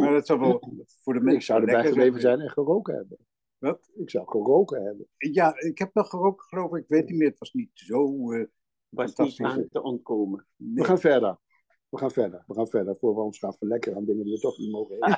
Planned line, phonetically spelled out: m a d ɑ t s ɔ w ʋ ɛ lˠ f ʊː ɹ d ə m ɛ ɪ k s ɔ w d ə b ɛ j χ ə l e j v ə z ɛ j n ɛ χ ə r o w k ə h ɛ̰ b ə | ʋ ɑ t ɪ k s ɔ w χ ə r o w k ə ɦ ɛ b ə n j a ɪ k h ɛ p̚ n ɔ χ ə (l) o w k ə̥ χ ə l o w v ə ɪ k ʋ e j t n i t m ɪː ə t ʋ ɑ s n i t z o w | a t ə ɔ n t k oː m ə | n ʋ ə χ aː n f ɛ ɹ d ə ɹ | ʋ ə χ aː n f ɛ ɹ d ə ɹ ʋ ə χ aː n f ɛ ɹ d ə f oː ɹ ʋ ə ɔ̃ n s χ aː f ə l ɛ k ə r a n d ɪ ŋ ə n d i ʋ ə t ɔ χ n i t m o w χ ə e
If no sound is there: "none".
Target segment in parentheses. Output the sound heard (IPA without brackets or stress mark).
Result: r